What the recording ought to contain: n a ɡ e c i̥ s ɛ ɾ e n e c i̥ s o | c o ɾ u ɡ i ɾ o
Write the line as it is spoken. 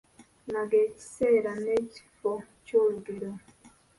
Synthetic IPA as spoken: n a ɡ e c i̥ s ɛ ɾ a n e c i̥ f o | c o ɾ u ɡ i ɾ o